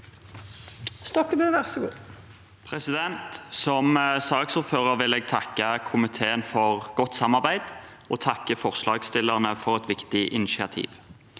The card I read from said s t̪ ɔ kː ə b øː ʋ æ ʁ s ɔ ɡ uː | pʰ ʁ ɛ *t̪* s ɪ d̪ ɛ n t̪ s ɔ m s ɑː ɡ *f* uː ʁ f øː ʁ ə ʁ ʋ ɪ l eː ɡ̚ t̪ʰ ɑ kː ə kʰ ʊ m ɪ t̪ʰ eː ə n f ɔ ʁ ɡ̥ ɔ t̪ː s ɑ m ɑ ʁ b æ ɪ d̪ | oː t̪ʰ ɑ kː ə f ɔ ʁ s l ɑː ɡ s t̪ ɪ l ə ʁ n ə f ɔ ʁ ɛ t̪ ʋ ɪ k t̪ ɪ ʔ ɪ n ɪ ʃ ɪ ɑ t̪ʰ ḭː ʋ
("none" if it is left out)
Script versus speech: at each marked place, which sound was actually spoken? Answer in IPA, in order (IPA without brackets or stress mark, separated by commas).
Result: none, s